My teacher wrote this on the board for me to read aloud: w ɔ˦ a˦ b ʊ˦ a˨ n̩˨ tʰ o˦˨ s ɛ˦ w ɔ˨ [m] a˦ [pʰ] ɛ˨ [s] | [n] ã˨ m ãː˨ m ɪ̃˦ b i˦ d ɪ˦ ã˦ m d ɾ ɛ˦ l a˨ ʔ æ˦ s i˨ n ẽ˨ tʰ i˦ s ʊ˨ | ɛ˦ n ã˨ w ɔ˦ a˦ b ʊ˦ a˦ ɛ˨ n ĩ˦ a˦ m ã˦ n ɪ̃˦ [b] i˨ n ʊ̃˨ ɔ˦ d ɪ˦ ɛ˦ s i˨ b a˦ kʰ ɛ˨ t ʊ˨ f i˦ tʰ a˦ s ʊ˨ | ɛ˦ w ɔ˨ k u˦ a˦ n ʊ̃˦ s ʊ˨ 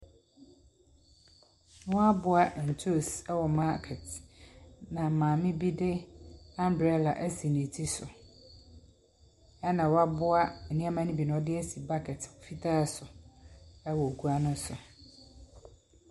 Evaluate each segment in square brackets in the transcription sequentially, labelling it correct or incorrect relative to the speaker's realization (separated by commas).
correct, incorrect, incorrect, correct, correct